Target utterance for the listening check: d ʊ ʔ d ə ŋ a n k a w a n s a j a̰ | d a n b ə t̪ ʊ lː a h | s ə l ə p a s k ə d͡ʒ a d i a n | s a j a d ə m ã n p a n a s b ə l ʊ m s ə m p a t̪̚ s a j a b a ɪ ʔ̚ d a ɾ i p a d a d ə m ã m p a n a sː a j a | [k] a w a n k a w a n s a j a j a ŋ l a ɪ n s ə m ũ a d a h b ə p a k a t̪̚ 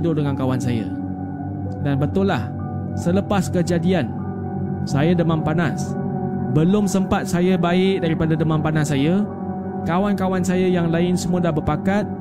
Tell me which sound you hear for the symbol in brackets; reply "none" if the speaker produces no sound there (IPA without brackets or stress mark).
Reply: k